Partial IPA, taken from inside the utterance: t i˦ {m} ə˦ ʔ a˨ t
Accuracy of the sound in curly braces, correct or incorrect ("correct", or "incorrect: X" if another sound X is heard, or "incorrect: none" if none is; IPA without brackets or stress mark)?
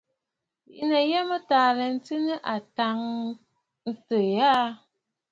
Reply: incorrect: n